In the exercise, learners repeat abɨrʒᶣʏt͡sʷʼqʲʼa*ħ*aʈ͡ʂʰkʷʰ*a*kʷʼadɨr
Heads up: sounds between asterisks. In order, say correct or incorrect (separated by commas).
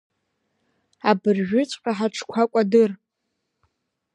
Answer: correct, correct